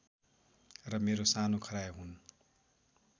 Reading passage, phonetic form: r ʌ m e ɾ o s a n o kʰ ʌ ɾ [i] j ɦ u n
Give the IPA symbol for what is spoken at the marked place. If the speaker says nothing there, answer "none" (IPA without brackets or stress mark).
a